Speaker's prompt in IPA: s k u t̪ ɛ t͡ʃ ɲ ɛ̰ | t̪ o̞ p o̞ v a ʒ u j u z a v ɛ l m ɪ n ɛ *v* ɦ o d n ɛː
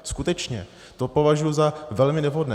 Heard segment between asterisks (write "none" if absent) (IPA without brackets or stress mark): v